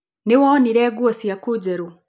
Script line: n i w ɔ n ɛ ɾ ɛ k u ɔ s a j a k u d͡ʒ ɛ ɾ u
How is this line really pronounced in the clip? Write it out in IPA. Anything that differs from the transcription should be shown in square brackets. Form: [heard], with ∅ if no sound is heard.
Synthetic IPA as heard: n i w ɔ n [i] ɾ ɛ [ɡ] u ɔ s [i] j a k u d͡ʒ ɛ ɾ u